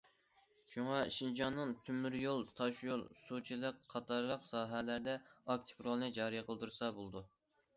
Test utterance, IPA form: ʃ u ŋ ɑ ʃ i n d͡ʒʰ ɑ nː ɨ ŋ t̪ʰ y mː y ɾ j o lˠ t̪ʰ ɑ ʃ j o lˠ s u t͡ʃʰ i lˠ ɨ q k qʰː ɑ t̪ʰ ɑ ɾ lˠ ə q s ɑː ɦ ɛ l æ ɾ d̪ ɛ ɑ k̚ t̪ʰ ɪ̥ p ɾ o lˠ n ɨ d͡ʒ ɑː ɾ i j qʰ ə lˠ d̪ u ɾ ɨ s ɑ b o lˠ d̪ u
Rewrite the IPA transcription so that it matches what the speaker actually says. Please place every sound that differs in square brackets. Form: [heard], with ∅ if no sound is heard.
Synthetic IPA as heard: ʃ u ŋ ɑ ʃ i n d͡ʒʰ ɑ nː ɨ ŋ t̪ʰ y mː y ɾ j o lˠ t̪ʰ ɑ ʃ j o lˠ s u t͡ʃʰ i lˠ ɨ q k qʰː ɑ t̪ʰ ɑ ɾ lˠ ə q s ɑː ɦ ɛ l æ ɾ d̪ ɛ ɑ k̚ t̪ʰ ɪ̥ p ɾ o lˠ n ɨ d͡ʒ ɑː ɾ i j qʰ ə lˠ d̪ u ɾ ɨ s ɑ b o lˠ d̪ u